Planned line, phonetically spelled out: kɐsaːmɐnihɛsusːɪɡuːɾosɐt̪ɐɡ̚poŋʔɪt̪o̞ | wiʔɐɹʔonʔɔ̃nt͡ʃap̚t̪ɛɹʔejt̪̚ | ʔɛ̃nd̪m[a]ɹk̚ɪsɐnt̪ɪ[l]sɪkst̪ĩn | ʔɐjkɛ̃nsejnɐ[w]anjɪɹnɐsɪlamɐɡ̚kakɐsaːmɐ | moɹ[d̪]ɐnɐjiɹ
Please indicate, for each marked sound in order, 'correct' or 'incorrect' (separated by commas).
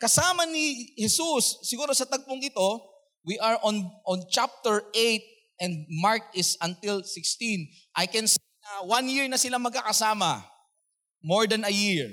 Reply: correct, correct, correct, correct